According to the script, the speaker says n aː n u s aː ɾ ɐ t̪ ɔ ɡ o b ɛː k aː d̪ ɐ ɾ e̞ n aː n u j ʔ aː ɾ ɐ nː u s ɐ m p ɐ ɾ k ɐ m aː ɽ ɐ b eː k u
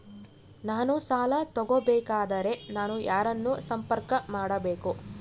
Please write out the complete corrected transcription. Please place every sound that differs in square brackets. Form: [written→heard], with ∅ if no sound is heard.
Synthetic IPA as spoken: n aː n u s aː [ɾ→l] ɐ t̪ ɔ ɡ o b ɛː k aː d̪ ɐ ɾ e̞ n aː n u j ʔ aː ɾ ɐ nː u s ɐ m p ɐ ɾ k ɐ m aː ɽ ɐ b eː k u

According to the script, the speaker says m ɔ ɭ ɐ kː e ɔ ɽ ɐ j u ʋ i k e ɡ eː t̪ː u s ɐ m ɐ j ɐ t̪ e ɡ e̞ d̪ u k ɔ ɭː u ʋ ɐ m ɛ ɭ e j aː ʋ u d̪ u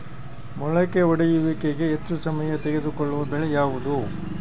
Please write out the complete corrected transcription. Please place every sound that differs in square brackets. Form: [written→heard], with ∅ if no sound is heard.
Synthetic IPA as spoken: m ɔ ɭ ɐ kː e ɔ ɽ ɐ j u ʋ i k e ɡ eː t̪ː u s ɐ m ɐ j ɐ t̪ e ɡ e̞ d̪ u k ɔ ɭː u ʋ ɐ [m→b] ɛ ɭ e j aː ʋ u d̪ u

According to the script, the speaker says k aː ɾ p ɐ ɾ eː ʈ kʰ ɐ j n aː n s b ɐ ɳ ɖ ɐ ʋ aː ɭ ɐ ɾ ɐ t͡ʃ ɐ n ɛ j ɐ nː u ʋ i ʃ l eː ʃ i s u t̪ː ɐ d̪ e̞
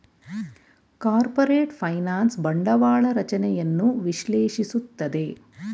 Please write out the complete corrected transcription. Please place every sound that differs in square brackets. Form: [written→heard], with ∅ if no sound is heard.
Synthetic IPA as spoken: k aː ɾ p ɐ ɾ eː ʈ [kʰ→pʰ] ɐ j n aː n s b ɐ ɳ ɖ ɐ ʋ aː ɭ ɐ ɾ ɐ t͡ʃ ɐ n ɛ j ɐ nː u ʋ i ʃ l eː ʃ i s u t̪ː ɐ d̪ e̞

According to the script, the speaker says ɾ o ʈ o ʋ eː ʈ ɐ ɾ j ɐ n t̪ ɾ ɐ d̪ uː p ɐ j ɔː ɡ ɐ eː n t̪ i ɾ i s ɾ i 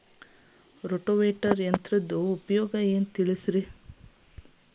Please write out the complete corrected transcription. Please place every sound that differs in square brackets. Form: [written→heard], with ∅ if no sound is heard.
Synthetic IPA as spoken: ɾ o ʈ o ʋ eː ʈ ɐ ɾ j ɐ n t̪ ɾ ɐ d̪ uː p ɐ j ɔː ɡ ɐ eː n t̪ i [ɾ→ɭ] i s ɾ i

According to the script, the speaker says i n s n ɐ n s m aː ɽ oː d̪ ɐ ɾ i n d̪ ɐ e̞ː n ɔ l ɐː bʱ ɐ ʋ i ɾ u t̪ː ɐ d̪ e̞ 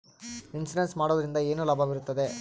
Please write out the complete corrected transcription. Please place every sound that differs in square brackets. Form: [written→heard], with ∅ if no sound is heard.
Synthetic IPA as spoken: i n s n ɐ n s m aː ɽ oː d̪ ɐ ɾ i n d̪ ɐ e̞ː n [ɔ→u] l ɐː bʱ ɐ ʋ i ɾ u t̪ː ɐ d̪ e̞

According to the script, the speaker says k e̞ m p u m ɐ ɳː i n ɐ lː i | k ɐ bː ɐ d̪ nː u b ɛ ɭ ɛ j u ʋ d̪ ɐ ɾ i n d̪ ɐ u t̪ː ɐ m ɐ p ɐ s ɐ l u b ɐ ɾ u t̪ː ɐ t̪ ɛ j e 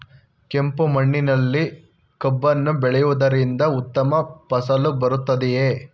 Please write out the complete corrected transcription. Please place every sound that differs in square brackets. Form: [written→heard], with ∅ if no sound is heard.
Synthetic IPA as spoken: k e̞ m p u m ɐ ɳː i n ɐ lː i | k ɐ bː ɐ [d̪→∅] nː u b ɛ ɭ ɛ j u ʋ d̪ ɐ ɾ i n d̪ ɐ u t̪ː ɐ m ɐ p ɐ s ɐ l u b ɐ ɾ u t̪ː ɐ [t̪→d̪] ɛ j e

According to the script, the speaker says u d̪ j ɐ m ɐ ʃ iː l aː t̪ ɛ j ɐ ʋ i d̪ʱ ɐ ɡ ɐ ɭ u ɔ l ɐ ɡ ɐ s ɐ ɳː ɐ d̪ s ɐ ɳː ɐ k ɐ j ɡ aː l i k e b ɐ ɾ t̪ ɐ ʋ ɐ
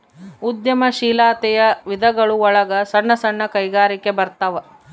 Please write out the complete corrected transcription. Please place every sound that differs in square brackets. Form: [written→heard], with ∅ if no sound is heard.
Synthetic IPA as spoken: u d̪ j ɐ m ɐ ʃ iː l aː t̪ ɛ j ɐ ʋ i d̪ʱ ɐ ɡ ɐ ɭ u ɔ [l→ɭ] ɐ ɡ ɐ s ɐ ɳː ɐ [d̪→∅] s ɐ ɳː ɐ k ɐ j ɡ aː [l→ɾ] i k e b ɐ ɾ t̪ ɐ ʋ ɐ

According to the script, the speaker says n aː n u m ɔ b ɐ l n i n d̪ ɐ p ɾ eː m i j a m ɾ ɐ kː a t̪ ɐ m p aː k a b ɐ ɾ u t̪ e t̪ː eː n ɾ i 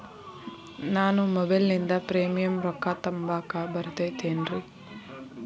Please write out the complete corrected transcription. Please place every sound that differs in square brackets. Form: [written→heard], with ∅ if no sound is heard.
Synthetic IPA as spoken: n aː n u m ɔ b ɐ l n i n d̪ ɐ p ɾ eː m i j [a→ɐ] m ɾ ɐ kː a t̪ ɐ m [p→b] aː k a b ɐ ɾ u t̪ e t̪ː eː n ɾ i

